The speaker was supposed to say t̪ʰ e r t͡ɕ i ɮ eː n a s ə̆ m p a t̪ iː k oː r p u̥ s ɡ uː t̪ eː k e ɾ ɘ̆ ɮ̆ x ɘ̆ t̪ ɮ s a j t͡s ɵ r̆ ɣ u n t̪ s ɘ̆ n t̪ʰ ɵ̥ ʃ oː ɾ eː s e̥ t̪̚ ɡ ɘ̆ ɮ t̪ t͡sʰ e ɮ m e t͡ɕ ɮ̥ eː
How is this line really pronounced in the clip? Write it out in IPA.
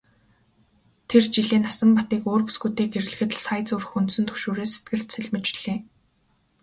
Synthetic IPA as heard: t̪ʰ e r t͡ɕ i ɮ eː n a s ə̆ m p a t̪ iː k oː r p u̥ s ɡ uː t̪ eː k e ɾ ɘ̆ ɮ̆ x ɘ̆ t̪ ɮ s a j t͡s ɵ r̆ x u n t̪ s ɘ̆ n t̪ʰ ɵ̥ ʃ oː ɾ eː s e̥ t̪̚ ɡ ɘ̆ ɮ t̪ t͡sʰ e ɮ m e t͡ɕ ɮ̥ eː